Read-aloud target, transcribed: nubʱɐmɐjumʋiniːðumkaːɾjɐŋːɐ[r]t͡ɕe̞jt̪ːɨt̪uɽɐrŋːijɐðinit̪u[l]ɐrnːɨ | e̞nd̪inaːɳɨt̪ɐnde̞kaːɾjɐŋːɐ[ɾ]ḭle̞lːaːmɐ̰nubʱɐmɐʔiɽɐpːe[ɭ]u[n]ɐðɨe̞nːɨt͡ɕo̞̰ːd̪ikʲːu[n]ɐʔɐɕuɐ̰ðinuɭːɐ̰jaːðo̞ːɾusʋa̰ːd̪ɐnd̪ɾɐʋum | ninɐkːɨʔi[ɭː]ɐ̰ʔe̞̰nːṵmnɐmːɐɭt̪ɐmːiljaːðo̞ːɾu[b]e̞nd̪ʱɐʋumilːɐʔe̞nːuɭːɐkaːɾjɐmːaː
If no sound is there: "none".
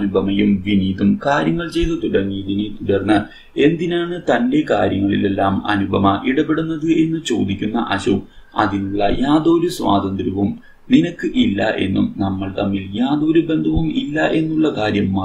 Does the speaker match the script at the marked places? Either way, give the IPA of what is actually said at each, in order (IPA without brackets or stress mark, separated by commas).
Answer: ɭ, ɽ, ɭ, ɽ, nː, nː, lː, b